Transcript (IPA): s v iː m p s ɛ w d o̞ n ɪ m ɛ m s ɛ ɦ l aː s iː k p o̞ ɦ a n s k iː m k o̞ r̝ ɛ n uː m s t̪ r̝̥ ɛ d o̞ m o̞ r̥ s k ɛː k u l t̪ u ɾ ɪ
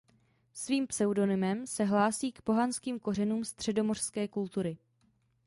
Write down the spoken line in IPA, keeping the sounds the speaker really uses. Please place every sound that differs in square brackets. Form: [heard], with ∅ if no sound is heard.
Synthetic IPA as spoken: s v iː m p s ɛ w d o̞ n ɪ m ɛ m s ɛ ɦ l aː s iː k p o̞ ɦ a n s k iː m k o̞ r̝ ɛ n uː m s t̪ r̝̥ ɛ d o̞ m o̞ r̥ s k ɛː k u l t̪ u ɾ ɪ